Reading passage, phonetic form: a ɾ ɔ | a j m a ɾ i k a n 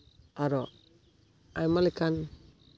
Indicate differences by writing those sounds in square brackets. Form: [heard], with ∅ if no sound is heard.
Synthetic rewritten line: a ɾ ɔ | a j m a [l] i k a n